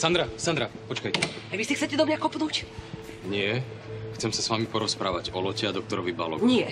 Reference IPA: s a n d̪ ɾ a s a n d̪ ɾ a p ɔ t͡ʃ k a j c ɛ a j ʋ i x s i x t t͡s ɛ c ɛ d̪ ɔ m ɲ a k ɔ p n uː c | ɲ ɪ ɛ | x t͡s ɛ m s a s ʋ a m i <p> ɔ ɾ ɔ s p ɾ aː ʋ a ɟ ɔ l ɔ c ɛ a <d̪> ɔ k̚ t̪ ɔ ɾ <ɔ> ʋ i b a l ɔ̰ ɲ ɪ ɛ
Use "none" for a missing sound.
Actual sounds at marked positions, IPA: p, d̪, ɔ

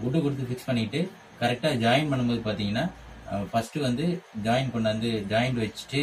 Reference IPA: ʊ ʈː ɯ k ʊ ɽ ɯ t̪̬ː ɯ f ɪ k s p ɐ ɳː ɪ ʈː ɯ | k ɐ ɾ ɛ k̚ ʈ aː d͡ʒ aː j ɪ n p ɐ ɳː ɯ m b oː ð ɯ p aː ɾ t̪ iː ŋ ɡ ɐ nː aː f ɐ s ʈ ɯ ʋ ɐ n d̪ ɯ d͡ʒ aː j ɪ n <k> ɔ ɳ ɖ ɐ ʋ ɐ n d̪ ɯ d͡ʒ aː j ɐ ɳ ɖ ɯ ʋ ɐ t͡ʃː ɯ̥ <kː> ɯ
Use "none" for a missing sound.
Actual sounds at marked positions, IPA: k, ʈː

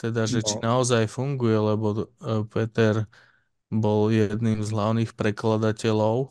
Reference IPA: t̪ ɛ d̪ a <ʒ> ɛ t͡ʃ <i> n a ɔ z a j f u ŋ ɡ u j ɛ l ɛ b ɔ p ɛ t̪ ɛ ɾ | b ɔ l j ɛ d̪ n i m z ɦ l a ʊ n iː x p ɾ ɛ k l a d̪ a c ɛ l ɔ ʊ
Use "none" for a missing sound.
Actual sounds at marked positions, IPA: ʒ, i

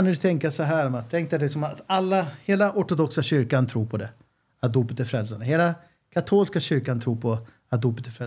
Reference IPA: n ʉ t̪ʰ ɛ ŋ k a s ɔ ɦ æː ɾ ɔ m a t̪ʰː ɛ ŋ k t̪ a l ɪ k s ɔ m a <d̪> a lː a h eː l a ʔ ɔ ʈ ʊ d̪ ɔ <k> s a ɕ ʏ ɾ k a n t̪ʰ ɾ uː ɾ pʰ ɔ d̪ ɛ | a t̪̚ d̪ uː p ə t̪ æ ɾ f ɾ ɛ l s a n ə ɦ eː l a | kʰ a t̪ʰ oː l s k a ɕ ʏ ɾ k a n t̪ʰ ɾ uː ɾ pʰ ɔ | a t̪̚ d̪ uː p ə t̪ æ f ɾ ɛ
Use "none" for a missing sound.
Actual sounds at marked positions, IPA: t̪, k

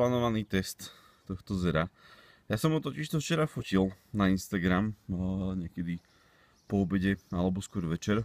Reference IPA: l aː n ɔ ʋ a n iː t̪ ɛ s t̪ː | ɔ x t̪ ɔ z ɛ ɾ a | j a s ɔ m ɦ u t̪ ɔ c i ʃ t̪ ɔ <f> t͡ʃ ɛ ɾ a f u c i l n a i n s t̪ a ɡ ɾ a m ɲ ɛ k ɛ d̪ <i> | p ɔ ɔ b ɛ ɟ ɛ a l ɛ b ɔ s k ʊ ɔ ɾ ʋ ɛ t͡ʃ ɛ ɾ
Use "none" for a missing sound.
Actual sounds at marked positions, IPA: f, i

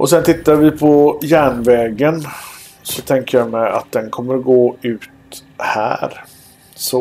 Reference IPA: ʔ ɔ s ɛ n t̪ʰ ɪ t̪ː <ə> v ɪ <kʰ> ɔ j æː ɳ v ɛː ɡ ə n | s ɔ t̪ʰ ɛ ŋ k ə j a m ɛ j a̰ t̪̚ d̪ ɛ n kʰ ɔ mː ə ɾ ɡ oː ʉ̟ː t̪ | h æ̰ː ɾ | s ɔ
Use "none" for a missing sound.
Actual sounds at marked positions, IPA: a, pʰ

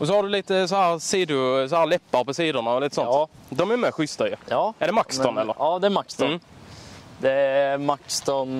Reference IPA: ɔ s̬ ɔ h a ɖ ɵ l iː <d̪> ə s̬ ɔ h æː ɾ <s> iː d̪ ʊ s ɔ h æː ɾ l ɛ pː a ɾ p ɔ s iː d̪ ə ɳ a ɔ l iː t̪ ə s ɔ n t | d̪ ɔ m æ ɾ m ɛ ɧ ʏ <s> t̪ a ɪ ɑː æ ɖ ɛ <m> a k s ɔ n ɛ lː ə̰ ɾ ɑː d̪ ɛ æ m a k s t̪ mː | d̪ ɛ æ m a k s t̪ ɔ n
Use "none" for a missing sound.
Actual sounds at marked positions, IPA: t̪, s, s, m

